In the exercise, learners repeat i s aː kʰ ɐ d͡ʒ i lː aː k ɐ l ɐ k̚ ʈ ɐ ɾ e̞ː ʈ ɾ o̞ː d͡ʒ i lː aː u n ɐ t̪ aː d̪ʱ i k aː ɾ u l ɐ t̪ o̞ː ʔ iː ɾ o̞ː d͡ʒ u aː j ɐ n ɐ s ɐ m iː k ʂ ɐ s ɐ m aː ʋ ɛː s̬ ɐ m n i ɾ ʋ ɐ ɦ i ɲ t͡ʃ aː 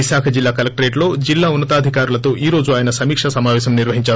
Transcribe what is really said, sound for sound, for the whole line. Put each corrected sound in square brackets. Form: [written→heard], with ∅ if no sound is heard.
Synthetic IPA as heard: i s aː kʰ ɐ d͡ʒ i lː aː k ɐ l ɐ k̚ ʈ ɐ ɾ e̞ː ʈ [ɾ→l] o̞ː d͡ʒ i lː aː u [n→nː] ɐ t̪ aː d̪ʱ i k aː ɾ u l ɐ t̪ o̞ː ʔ iː ɾ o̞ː d͡ʒ u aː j ɐ n ɐ s ɐ m iː k ʂ ɐ s ɐ m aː ʋ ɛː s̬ ɐ m n i ɾ ʋ ɐ ɦ i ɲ t͡ʃ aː

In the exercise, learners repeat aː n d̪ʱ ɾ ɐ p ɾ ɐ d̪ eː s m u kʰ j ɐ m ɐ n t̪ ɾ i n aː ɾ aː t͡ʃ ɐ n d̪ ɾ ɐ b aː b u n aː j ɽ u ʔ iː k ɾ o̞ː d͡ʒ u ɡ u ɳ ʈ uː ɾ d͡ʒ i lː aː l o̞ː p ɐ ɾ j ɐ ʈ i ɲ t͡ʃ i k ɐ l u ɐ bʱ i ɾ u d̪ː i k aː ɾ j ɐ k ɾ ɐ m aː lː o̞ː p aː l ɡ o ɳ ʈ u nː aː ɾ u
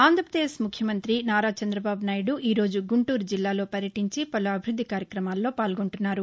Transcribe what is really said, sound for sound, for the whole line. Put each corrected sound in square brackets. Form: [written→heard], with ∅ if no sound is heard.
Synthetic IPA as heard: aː n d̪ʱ ɾ ɐ p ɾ ɐ d̪ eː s m u kʰ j ɐ m ɐ n t̪ ɾ i n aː ɾ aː t͡ʃ ɐ n d̪ ɾ ɐ b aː b u n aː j ɽ u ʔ iː [k→∅] ɾ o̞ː d͡ʒ u ɡ u ɳ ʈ uː ɾ d͡ʒ i lː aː l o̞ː p ɐ ɾ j ɐ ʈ i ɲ t͡ʃ i [k→p] ɐ l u ɐ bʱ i ɾ u d̪ː i k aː ɾ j ɐ k ɾ ɐ m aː lː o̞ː p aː l ɡ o ɳ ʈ u nː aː ɾ u

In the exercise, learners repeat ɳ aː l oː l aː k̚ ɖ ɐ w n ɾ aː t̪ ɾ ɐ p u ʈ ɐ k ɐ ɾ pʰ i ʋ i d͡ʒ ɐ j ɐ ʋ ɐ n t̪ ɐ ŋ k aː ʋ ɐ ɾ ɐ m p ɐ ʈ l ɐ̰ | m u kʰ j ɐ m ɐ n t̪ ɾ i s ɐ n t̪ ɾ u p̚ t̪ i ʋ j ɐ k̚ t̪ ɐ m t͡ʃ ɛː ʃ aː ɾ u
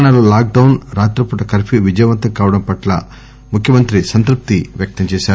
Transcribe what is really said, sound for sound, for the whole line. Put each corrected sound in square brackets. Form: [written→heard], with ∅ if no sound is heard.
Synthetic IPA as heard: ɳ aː l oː l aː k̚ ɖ ɐ w n ɾ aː t̪ ɾ ɐ p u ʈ ɐ k ɐ ɾ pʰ i ʋ i d͡ʒ ɐ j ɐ ʋ ɐ n t̪ ɐ ŋ k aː ʋ ɐ [ɾ→ɽ] ɐ m p ɐ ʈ l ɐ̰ | m u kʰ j ɐ m ɐ n t̪ ɾ i s ɐ n t̪ ɾ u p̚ t̪ i ʋ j ɐ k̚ t̪ ɐ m t͡ʃ ɛː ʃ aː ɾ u

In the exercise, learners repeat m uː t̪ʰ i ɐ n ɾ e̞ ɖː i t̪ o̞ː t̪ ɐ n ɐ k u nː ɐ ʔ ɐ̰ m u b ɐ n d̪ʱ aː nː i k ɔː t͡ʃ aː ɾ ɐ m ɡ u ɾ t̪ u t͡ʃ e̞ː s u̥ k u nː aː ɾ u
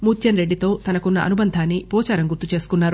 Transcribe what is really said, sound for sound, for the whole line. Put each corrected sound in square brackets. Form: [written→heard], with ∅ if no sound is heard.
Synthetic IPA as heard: m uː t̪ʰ [i→j] ɐ n ɾ e̞ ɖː i t̪ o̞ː t̪ ɐ n ɐ k u nː ɐ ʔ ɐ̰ [m→n] u b ɐ n d̪ʱ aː nː i [k→p] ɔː t͡ʃ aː ɾ ɐ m ɡ u ɾ t̪ u t͡ʃ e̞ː s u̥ k u nː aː ɾ u

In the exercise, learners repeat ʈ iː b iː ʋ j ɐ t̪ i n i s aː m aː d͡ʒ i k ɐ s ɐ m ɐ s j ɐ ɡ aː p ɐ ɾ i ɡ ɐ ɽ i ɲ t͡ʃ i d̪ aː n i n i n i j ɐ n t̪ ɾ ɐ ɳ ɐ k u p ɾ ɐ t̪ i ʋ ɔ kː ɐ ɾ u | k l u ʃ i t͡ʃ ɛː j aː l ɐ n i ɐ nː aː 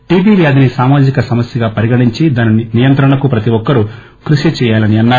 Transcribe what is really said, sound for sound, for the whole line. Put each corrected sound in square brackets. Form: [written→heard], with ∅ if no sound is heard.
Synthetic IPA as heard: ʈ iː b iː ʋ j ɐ [t̪→d̪] i n i s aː m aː d͡ʒ i k ɐ s ɐ m ɐ s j ɐ ɡ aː p ɐ ɾ i ɡ ɐ ɽ i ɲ t͡ʃ i d̪ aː n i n i n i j ɐ n t̪ ɾ ɐ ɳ ɐ k u p ɾ ɐ t̪ i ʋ ɔ kː ɐ ɾ u | k [l→ɾ] u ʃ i t͡ʃ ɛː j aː l ɐ n i ɐ nː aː

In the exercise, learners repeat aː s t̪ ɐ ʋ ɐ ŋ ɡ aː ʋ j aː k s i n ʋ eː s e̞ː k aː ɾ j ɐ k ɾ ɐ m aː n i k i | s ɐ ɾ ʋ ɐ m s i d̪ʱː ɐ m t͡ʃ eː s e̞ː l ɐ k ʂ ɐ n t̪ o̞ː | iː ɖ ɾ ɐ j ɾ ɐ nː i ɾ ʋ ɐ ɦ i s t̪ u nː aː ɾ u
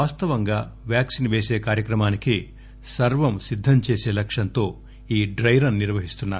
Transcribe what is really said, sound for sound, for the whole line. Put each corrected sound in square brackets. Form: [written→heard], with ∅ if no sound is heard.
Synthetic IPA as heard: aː s t̪ ɐ ʋ ɐ ŋ ɡ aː ʋ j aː k s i n ʋ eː s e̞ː k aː ɾ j ɐ k ɾ ɐ m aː n i k i | s ɐ ɾ ʋ ɐ m s i d̪ʱː ɐ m t͡ʃ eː s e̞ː l ɐ k ʂ ɐ n t̪ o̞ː | iː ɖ ɾ ɐ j ɾ ɐ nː i ɾ ʋ ɐ ɦ i s t̪ u nː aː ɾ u

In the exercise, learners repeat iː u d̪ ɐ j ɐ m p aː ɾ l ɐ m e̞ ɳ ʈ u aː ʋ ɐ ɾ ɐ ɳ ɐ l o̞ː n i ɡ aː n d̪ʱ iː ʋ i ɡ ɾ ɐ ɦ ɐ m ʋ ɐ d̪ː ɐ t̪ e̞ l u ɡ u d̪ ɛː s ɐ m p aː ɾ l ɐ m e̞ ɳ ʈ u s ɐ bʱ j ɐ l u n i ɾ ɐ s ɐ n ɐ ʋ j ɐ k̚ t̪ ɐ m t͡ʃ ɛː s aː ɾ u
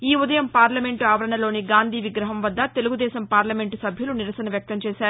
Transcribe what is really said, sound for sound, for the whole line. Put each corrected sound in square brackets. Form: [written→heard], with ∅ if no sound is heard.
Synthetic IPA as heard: iː u d̪ ɐ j ɐ m p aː ɾ l ɐ m e̞ ɳ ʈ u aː ʋ ɐ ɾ ɐ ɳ ɐ l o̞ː n i ɡ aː n d̪ʱ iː ʋ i ɡ ɾ ɐ ɦ ɐ m ʋ ɐ d̪ː ɐ t̪ e̞ l u ɡ u d̪ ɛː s ɐ m p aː ɾ l ɐ m e̞ ɳ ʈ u s ɐ bʱ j ɐ l u n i ɾ ɐ s ɐ n ɐ ʋ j ɐ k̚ t̪ ɐ m t͡ʃ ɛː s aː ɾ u

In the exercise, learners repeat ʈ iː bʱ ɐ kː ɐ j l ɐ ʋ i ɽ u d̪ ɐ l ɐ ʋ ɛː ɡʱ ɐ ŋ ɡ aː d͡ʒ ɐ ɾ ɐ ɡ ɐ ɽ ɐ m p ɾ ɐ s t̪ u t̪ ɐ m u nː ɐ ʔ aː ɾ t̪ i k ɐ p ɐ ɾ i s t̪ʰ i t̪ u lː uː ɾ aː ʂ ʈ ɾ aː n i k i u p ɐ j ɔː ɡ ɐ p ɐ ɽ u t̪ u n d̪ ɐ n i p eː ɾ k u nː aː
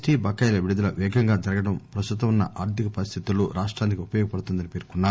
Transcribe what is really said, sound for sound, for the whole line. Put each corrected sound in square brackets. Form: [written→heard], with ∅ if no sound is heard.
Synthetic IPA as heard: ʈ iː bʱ ɐ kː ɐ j l ɐ ʋ i ɽ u d̪ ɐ l ɐ ʋ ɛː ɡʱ ɐ ŋ ɡ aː d͡ʒ ɐ ɾ ɐ ɡ ɐ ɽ ɐ m p ɾ ɐ s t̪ u t̪ ɐ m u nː ɐ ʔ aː ɾ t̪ i k ɐ p ɐ ɾ i s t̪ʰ i t̪ u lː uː ɾ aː ʂ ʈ ɾ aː n i k i u p ɐ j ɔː ɡ ɐ p ɐ ɽ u t̪ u n d̪ ɐ n i p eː ɾ k u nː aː

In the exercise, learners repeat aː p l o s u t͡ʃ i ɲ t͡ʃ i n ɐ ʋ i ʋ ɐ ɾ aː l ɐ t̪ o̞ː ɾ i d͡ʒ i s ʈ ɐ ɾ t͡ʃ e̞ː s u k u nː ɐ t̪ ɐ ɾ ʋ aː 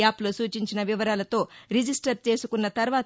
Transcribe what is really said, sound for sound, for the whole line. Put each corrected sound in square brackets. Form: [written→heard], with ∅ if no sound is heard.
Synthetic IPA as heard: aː p l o s [u→uː] t͡ʃ i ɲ t͡ʃ i n ɐ ʋ i ʋ ɐ ɾ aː l ɐ t̪ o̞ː ɾ i d͡ʒ i s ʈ ɐ ɾ t͡ʃ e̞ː s u k u nː ɐ t̪ ɐ ɾ ʋ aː

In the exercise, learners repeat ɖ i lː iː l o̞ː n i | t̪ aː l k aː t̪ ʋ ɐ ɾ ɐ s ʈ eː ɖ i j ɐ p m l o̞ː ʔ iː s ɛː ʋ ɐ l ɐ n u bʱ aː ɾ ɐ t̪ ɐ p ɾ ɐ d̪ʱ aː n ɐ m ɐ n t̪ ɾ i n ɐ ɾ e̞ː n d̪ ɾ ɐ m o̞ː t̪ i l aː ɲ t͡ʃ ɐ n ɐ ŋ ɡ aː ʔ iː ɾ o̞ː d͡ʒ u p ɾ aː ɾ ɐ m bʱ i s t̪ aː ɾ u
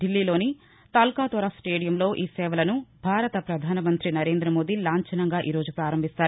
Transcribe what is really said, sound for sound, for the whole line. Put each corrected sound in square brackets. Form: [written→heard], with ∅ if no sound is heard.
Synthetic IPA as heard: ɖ i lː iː l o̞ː n i | t̪ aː l k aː t̪ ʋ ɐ ɾ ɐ s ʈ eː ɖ i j ɐ [p→∅] m l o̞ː ʔ iː s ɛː ʋ ɐ l ɐ n u bʱ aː ɾ ɐ t̪ ɐ p ɾ ɐ d̪ʱ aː n ɐ m ɐ n t̪ ɾ i n ɐ ɾ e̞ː n d̪ ɾ ɐ m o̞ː [t̪→d̪] i l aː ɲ t͡ʃ ɐ n ɐ ŋ ɡ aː ʔ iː ɾ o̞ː d͡ʒ u p ɾ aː ɾ ɐ m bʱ i s t̪ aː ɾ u

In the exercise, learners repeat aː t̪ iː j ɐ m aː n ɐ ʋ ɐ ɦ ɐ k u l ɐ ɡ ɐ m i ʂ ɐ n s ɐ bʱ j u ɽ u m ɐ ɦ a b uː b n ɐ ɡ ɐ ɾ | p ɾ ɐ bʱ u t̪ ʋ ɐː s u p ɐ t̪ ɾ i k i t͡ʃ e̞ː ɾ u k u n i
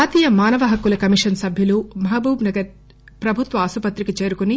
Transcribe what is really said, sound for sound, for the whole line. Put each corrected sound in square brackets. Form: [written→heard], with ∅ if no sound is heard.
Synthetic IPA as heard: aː t̪ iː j ɐ m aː n ɐ ʋ ɐ ɦ ɐ k u l ɐ [ɡ→k] ɐ m i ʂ ɐ n s ɐ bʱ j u [ɽ→l] u m ɐ ɦ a b uː b n ɐ ɡ ɐ ɾ | p ɾ ɐ bʱ u t̪ ʋ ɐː s u p ɐ t̪ ɾ i k i t͡ʃ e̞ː ɾ u k u n i

